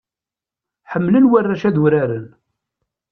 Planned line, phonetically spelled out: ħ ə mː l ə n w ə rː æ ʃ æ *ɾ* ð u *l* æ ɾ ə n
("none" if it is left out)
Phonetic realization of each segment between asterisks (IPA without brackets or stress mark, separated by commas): none, ɾ